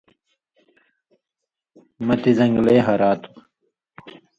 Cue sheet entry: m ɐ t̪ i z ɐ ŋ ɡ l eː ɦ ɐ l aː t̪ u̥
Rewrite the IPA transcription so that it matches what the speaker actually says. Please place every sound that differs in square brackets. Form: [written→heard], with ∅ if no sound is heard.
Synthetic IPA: m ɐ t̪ i z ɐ ŋ ɡ l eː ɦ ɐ [l→ɾ] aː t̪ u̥